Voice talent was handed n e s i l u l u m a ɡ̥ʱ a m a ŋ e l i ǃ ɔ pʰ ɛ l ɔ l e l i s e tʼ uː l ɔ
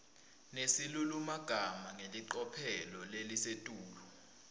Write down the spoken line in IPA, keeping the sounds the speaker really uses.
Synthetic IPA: n e s i l u l u m a ɡ̥ʱ a m a ŋ e l i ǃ ɔ pʰ ɛ l ɔ l e l i s e tʼ uː l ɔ